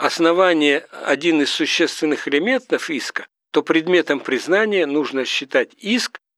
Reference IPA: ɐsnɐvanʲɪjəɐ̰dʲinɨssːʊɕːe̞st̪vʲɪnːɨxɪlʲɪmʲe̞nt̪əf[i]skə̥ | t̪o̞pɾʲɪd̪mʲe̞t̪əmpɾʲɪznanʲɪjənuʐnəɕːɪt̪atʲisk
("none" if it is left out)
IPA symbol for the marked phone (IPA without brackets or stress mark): i